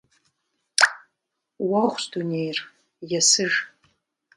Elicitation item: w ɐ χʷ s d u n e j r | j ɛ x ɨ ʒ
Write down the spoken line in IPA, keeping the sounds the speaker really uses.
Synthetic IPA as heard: w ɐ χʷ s d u n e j r | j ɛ s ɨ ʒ